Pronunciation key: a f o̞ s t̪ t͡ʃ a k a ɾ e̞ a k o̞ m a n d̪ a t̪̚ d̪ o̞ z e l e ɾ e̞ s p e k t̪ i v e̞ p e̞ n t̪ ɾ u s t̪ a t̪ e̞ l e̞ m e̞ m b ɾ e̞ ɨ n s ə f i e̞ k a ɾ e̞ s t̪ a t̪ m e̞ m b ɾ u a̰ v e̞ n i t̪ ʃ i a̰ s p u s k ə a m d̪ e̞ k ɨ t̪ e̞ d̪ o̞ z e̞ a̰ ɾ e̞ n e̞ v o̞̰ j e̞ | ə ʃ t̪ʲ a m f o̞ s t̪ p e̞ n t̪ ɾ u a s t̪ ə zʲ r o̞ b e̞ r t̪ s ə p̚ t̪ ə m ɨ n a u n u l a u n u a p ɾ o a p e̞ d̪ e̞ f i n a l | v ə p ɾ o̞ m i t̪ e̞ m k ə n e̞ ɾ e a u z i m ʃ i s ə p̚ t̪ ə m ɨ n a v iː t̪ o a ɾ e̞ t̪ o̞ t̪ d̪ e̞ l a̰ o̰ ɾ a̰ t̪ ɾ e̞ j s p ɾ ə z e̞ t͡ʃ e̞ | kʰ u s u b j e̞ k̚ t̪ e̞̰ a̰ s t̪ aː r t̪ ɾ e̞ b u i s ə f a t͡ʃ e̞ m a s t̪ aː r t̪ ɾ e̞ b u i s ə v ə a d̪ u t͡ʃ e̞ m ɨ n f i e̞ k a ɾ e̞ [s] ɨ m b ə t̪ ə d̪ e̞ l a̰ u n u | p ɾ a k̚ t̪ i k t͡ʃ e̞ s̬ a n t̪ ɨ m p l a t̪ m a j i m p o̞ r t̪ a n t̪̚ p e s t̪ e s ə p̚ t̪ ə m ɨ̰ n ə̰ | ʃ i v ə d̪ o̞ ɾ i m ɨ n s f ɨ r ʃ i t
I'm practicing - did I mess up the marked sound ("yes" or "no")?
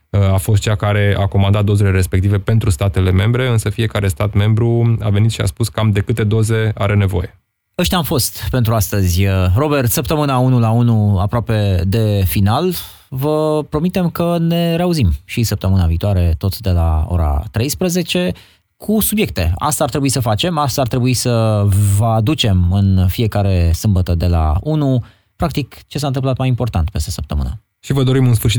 no